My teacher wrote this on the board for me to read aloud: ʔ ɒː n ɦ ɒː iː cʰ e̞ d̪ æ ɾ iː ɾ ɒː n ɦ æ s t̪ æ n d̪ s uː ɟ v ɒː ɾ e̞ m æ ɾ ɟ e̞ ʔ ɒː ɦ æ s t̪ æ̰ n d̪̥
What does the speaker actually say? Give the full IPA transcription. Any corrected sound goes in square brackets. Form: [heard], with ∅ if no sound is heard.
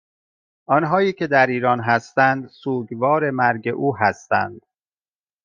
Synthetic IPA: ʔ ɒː n ɦ ɒː iː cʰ e̞ d̪ æ ɾ iː ɾ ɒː n ɦ æ s t̪ æ n d̪ s uː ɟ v ɒː ɾ e̞ m æ ɾ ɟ e̞ ʔ [uː] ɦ æ s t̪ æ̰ n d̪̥